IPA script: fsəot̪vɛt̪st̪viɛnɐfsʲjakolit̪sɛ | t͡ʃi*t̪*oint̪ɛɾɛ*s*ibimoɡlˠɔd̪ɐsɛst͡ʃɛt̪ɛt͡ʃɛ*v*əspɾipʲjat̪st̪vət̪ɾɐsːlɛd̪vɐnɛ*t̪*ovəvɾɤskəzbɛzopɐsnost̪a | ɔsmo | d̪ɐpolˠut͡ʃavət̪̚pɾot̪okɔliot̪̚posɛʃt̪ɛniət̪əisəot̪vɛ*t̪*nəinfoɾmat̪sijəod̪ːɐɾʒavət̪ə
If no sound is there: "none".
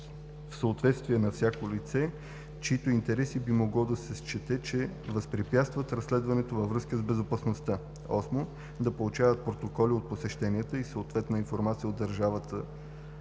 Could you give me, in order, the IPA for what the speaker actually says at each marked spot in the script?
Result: t̪, s, v, t̪, t̪

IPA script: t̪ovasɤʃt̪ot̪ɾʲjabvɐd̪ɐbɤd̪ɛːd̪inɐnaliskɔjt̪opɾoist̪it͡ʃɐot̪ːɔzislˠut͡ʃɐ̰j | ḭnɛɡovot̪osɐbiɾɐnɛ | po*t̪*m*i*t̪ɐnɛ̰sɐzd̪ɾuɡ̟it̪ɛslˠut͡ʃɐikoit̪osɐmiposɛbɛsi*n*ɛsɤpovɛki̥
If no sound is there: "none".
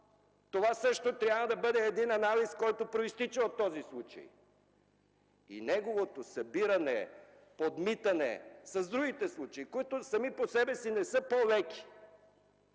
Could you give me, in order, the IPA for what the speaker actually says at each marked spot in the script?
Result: d̪, i, n

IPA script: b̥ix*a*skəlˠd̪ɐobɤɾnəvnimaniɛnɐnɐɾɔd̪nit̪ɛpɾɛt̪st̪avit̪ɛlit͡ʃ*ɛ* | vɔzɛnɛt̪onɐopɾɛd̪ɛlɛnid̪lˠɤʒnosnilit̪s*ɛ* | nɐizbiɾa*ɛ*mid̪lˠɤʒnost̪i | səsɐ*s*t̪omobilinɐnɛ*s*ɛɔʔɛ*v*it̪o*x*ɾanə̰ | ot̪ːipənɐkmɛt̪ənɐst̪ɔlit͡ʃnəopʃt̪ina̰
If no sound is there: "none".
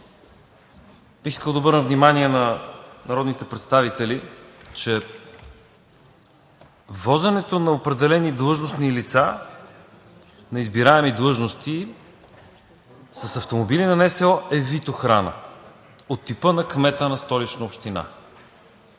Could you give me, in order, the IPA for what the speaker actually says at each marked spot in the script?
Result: i, ɛ, a, ɛ, f, s, v, x

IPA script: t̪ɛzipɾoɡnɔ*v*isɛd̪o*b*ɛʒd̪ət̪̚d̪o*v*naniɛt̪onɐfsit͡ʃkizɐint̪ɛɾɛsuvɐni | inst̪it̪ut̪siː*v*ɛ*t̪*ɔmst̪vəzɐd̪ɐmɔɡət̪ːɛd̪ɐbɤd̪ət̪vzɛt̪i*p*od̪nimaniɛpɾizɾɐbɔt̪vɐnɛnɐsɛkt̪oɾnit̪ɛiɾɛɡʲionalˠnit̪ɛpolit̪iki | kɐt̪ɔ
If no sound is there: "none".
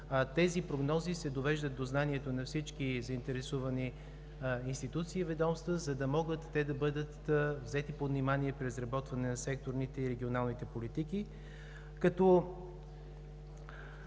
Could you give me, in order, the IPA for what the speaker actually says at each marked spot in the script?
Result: z, v, z, v, d̪, p

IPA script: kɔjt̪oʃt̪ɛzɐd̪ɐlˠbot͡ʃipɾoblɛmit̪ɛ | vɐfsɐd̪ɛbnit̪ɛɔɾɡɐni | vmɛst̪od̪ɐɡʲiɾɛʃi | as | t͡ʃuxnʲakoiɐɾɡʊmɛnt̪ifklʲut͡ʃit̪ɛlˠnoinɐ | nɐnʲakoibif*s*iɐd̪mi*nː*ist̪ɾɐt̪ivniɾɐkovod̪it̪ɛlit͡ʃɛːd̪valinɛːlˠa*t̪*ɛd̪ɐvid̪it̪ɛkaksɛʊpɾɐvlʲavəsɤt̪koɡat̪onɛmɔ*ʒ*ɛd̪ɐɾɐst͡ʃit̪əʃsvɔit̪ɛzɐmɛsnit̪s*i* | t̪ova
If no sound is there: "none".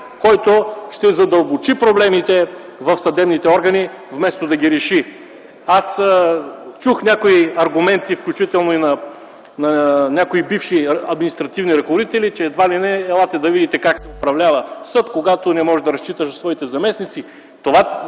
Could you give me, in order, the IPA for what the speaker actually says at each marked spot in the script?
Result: ʃ, n, t̪, ʒ, i

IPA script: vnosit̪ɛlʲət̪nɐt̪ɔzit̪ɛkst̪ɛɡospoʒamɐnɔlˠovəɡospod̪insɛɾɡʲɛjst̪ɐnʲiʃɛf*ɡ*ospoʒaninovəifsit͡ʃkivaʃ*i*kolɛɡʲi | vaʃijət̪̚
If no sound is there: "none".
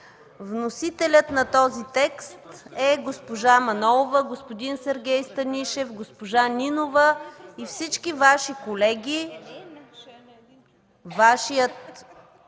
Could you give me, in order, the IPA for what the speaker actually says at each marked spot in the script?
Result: ɡ, i

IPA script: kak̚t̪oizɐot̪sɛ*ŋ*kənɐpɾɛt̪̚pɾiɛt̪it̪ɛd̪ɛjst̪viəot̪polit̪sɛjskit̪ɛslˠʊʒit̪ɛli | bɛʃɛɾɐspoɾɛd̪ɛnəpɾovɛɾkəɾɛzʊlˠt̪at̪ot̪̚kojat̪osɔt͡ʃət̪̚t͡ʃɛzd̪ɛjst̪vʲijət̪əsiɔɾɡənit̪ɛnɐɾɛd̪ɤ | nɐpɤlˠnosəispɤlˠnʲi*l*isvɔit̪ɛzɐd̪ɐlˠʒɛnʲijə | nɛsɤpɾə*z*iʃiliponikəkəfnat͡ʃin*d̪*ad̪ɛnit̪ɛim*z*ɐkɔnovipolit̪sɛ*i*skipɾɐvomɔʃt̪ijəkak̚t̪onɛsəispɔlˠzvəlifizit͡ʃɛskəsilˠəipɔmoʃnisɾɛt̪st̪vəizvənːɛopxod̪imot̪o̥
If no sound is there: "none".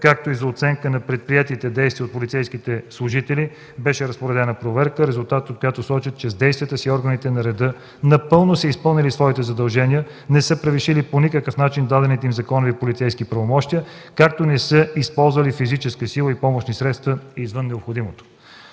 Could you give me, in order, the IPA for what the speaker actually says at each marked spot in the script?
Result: ŋ, l, v, d̪, z, j

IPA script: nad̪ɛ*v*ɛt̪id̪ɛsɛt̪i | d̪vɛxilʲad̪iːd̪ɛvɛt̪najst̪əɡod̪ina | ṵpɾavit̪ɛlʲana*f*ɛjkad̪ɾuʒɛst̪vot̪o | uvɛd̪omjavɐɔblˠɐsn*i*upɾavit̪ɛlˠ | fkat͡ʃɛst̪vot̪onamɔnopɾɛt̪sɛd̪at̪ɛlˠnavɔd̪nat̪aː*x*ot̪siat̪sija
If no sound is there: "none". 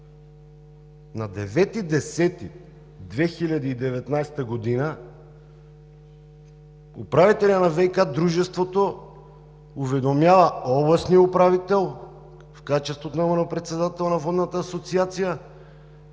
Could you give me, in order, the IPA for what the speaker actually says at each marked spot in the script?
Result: v, v, i, s

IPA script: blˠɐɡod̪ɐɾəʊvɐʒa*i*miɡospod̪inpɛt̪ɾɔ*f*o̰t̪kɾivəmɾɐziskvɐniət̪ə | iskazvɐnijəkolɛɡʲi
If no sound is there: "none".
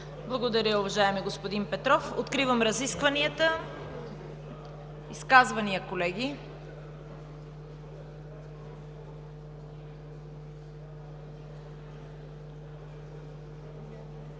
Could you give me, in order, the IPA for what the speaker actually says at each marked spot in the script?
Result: ɛ, f

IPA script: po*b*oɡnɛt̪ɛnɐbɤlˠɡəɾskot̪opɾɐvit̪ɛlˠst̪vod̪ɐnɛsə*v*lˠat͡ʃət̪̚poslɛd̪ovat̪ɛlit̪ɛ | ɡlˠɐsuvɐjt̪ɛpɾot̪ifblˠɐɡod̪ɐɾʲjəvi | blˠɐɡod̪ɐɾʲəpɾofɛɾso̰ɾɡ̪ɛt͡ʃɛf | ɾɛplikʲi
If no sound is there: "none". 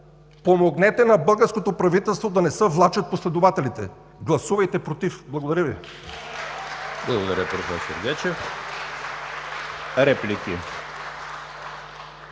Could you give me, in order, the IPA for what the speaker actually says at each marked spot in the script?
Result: m, v

